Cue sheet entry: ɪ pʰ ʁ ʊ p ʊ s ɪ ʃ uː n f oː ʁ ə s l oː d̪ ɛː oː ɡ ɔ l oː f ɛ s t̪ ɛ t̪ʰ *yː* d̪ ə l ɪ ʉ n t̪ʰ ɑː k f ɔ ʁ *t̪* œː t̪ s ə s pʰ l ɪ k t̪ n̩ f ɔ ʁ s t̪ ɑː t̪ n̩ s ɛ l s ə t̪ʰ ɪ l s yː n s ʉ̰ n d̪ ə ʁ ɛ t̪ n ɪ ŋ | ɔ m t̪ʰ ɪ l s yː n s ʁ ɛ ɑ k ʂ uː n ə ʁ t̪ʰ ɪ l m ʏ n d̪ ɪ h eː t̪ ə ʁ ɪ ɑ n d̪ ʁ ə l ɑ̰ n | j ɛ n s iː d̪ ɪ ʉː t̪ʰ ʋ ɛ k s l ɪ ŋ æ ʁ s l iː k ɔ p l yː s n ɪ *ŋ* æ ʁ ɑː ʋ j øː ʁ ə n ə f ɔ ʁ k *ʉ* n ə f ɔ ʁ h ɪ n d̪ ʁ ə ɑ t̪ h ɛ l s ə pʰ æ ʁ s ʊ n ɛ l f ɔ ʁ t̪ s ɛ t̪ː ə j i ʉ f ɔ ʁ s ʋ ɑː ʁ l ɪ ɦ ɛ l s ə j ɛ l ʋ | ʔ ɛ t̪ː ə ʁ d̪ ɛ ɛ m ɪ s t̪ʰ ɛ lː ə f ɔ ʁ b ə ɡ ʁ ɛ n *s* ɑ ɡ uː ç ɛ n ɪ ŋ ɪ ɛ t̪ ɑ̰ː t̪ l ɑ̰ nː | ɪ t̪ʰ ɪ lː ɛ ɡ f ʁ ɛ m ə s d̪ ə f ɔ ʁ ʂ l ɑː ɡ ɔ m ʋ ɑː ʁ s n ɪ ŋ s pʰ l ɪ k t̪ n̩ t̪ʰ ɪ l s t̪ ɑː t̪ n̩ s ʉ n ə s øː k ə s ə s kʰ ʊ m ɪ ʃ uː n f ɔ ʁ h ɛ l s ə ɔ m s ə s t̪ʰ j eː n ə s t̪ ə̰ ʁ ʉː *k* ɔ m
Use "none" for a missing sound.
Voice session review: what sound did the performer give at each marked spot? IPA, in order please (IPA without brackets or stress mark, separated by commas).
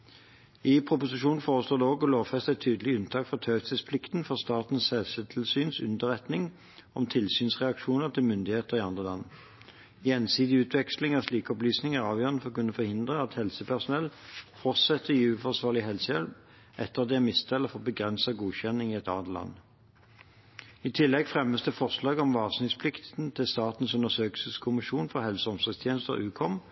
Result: yː, t̪ʰ, ŋ, ʉ, s, kʰ